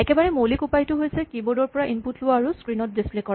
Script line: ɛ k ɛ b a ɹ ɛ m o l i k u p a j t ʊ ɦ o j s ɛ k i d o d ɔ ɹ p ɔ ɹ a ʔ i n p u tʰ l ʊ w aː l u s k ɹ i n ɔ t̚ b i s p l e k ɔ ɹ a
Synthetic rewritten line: ɛ k ɛ b a ɹ ɛ m o l i k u p a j t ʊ ɦ o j s ɛ k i b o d ɔ ɹ p ɔ ɹ a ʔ i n p u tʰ l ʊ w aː ɹ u s k ɹ i n ɔ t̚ d i s p l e k ɔ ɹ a